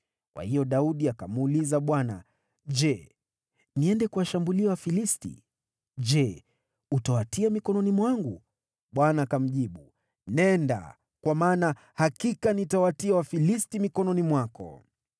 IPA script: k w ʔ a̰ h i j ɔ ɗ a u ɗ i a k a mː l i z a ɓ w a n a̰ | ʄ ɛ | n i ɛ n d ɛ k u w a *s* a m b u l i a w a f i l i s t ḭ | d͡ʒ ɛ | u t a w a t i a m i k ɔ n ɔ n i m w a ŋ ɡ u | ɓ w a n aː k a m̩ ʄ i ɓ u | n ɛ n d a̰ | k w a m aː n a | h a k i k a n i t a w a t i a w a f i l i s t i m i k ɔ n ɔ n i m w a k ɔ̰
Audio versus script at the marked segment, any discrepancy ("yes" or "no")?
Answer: yes